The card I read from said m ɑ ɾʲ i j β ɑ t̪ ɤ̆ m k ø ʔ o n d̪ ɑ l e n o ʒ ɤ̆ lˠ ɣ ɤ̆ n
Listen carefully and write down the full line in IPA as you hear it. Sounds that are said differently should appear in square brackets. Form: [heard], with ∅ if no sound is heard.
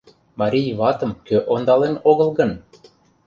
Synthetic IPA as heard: m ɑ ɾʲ i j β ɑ t̪ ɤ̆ m k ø ʔ o n d̪ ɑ l e n o [ɣ] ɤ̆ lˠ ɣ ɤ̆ n